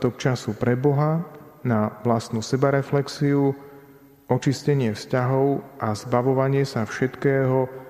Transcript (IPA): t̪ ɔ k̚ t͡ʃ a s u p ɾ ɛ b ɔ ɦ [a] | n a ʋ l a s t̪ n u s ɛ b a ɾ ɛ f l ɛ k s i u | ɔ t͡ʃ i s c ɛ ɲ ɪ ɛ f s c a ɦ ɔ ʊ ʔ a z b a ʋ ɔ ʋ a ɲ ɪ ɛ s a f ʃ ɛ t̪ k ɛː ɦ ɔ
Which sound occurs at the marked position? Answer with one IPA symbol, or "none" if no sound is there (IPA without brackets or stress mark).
a